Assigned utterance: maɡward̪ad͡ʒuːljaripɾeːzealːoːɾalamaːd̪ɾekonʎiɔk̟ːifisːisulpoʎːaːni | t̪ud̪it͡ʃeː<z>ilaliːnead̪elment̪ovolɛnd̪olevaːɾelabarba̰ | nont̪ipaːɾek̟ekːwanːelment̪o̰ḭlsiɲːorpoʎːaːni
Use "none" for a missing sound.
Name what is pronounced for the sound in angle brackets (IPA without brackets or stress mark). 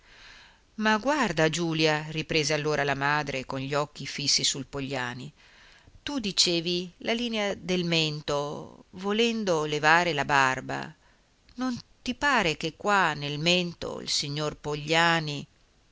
v